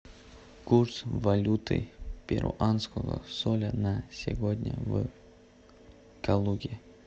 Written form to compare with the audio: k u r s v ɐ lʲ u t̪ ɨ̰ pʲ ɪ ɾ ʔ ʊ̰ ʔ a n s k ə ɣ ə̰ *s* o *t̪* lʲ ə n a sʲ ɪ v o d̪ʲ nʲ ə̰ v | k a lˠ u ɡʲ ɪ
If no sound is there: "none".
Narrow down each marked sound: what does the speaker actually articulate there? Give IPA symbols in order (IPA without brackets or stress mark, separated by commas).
s, none